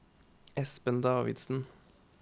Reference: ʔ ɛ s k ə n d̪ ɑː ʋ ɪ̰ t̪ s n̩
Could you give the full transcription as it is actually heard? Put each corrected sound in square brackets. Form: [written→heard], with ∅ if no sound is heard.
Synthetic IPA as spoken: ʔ ɛ s [k→p] ə n d̪ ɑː ʋ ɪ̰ [t̪→d̪] s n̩